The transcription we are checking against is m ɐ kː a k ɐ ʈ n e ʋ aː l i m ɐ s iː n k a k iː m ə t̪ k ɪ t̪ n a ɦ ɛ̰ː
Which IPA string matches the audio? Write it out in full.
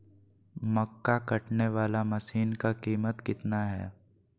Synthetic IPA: m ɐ kː a k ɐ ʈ n e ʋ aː l a m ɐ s iː n k a k iː m ə t̪ k ɪ t̪ n a ɦ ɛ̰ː

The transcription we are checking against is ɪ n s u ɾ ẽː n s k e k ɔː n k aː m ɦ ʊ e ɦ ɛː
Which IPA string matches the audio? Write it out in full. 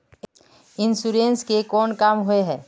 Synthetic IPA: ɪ n s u ɾ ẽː n s k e k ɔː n k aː m ɦ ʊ e ɦ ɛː

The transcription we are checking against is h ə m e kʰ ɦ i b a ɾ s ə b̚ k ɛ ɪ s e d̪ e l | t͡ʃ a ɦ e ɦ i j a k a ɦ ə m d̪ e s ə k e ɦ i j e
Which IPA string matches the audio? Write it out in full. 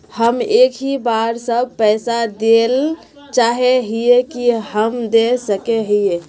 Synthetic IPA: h ə m e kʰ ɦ i b a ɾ s ə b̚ p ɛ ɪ s a d̪ e l | t͡ʃ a ɦ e ɦ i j e k i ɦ ə m d̪ e s ə k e ɦ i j e

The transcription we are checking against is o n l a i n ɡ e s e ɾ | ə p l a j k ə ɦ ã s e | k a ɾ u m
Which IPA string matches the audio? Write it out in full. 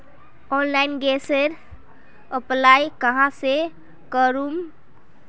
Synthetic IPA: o n l a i n ɡ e s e ɾ | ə p l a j k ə ɦ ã s e | k ə ɾ u m

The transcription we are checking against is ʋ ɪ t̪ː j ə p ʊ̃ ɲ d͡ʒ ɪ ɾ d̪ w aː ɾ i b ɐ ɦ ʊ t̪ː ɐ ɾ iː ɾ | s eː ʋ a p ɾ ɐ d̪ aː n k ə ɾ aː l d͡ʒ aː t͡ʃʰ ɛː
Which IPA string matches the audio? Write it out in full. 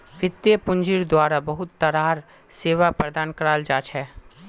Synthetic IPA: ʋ ɪ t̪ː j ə p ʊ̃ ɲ d͡ʒ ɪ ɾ d̪ w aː ɾ a b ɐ ɦ ʊ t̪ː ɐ ɾ aː ɾ | s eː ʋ a p ɾ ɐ d̪ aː n k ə ɾ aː l d͡ʒ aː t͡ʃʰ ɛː

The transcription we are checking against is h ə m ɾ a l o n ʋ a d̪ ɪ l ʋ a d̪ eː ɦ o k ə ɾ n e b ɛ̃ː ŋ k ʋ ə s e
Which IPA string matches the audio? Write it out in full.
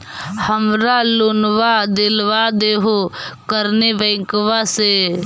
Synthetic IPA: h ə m ɾ a l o n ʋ a d̪ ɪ l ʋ a d̪ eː ɦ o k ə ɾ n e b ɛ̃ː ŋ k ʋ a s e

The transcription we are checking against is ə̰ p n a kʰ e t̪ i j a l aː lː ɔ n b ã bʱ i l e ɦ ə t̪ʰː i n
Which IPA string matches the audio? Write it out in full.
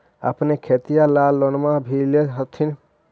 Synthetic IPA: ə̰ p n e kʰ e t̪ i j a l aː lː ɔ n m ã bʱ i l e ɦ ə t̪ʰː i n

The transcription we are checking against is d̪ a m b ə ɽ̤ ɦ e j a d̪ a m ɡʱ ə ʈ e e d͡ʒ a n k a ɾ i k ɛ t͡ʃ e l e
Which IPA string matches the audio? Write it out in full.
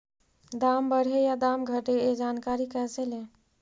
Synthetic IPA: d̪ a m b ə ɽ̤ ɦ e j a d̪ a m ɡʱ ə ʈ e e d͡ʒ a n k a ɾ i k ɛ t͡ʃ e l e

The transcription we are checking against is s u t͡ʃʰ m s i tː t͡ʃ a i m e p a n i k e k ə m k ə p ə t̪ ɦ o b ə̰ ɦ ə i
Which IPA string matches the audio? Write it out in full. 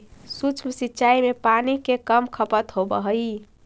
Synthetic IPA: s u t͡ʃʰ m s i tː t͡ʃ a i m e p a n i k e k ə m kʰ ə p ə t̪ ɦ o b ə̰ ɦ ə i

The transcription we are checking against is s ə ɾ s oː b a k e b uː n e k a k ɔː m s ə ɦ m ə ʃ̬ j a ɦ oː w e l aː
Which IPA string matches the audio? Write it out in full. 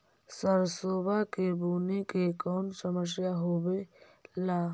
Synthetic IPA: s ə ɾ s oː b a k e b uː n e k e k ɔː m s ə m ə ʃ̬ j a ɦ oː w e l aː

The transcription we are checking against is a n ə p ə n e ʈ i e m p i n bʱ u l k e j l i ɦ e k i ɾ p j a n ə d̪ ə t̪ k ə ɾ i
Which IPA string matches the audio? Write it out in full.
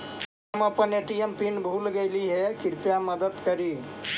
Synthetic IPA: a m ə p ə n e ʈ i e m p i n bʱ u l ɡ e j l i ɦ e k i ɾ p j a m ə d̪ ə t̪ k ə ɾ i

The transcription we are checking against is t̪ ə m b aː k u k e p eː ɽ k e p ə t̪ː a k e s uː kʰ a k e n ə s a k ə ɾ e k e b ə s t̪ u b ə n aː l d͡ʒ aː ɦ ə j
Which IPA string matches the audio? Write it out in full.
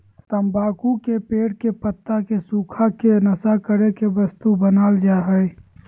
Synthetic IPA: t̪ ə m b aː k u k e p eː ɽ k e p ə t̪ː a k e s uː kʰ a k e n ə s a k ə ɾ e k e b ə s t̪ u b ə n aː l d͡ʒ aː ɦ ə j

